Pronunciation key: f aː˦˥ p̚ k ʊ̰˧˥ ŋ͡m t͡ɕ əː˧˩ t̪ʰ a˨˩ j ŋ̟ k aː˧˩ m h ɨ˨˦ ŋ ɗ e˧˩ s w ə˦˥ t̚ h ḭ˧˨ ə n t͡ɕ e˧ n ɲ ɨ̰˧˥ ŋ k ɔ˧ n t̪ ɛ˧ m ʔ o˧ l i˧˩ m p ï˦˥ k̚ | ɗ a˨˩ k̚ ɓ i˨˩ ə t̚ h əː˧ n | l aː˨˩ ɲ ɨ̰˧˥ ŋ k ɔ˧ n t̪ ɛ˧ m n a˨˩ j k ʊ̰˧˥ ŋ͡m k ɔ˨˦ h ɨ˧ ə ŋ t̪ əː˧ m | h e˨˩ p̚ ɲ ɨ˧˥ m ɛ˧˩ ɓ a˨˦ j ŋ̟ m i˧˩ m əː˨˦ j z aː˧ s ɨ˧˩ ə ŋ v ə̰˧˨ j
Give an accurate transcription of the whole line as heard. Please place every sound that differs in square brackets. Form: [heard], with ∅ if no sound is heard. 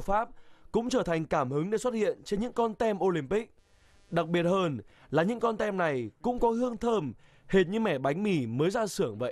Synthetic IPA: f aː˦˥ p̚ k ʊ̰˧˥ ŋ͡m t͡ɕ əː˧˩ t̪ʰ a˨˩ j ŋ̟ k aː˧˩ m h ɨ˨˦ ŋ ɗ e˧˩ s w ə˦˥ t̚ h ḭ˧˨ ə n t͡ɕ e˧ n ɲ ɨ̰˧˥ ŋ k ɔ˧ n t̪ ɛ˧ m ʔ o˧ l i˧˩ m p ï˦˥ k̚ | ɗ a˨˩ k̚ ɓ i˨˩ ə t̚ h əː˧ n | l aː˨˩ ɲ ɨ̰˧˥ ŋ k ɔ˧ n t̪ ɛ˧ m n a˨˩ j k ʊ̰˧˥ ŋ͡m k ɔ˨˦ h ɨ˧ ə ŋ [t̪ʰ] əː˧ m | h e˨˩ [t̚] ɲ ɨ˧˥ m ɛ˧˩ ɓ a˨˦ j ŋ̟ m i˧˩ m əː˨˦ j z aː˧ s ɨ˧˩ ə ŋ v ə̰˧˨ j